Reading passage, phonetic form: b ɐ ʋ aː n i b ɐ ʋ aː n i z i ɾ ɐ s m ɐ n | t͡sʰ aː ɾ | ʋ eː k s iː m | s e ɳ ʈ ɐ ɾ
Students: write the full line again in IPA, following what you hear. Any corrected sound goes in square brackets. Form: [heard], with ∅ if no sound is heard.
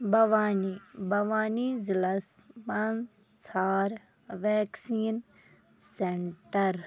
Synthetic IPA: b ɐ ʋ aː n i b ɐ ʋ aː n i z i [l] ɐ s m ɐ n | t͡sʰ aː ɾ | ʋ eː k s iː [n] | s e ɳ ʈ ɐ ɾ